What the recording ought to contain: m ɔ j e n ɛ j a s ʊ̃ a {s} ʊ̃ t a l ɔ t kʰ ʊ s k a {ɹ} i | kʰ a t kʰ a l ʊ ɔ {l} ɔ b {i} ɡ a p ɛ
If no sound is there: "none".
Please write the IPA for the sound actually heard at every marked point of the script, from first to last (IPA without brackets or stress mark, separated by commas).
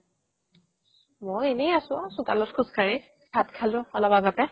s, ɹ, l, a